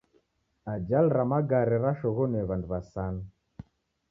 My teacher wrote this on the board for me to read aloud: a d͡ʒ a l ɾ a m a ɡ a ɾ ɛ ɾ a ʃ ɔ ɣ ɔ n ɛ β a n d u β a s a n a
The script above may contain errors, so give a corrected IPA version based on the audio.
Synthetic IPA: a d͡ʒ a l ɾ a m a ɡ a ɾ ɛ ɾ a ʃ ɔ ɣ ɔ n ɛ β a n d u β a s a n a